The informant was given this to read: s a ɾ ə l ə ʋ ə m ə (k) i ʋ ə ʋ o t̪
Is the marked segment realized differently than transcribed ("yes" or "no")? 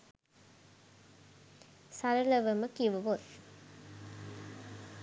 no